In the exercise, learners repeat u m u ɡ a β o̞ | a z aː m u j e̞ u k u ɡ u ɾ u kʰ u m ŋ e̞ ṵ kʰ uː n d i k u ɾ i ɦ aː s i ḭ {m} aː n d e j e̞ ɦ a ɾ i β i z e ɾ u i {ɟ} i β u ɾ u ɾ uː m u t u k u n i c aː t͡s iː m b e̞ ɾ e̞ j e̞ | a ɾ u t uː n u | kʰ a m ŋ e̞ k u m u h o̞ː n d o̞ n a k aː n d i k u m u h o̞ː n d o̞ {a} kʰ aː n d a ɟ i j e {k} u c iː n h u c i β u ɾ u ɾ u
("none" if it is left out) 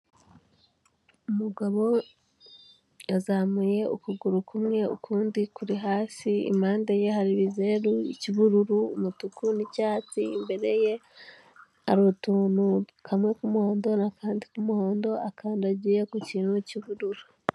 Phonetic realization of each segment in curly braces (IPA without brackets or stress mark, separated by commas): m, c, a, k